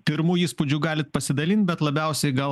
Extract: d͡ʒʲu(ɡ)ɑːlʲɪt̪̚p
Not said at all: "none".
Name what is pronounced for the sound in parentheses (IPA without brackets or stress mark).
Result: ɡ